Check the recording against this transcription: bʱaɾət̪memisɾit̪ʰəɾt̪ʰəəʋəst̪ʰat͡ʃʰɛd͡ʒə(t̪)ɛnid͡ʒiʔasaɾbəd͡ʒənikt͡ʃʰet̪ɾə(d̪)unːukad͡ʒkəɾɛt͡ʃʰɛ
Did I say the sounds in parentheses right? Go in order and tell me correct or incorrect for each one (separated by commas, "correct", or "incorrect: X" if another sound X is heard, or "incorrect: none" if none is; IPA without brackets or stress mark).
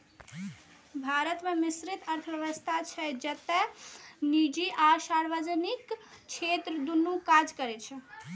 correct, correct